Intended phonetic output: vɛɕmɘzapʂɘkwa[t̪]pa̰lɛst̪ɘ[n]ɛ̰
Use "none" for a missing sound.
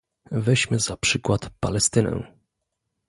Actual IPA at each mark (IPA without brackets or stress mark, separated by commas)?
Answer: t̪, n